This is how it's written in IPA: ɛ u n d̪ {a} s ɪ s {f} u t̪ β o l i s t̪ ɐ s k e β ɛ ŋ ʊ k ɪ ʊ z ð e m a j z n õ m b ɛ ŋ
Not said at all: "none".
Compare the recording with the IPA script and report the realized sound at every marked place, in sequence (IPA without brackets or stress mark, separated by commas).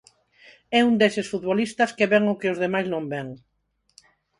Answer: e, f